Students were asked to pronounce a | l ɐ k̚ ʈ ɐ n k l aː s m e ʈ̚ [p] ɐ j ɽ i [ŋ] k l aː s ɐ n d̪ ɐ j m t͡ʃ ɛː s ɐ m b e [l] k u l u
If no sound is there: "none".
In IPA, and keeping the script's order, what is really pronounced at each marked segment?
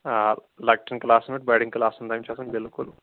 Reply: b, ŋ, l

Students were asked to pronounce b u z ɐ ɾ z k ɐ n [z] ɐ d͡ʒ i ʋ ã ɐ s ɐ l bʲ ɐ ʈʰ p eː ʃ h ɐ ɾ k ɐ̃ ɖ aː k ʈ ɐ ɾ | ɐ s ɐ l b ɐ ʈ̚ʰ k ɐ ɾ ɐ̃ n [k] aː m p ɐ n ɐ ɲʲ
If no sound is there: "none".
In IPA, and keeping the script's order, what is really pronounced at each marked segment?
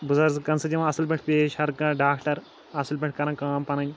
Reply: s, k

